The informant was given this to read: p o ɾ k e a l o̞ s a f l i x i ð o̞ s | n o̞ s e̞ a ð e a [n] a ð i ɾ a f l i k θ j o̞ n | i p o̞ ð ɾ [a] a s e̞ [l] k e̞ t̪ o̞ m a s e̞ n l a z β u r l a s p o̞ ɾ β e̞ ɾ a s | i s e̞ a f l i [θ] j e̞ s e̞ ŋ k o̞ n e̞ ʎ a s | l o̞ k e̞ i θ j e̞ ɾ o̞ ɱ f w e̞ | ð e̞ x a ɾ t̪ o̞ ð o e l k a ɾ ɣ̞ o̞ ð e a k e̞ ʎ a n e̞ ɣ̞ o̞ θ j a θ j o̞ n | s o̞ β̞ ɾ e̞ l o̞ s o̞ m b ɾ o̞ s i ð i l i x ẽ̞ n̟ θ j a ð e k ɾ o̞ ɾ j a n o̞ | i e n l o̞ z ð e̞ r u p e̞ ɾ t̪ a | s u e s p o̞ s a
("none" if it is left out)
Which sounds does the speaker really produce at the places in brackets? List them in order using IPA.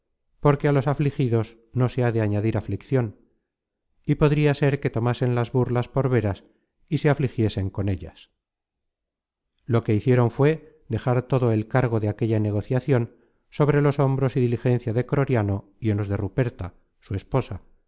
ɲ, i, ɾ, x

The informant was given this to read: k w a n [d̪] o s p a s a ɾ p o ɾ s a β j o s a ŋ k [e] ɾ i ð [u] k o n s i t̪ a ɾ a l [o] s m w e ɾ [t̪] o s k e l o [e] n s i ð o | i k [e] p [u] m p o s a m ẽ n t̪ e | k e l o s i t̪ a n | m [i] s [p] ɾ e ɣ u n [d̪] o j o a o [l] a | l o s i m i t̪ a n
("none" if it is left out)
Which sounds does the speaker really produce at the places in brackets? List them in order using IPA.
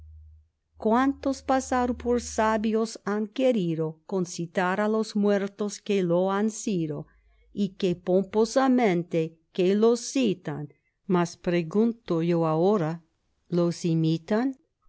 t̪, e, o, o, t̪, a, e, o, a, p, t̪, ɾ

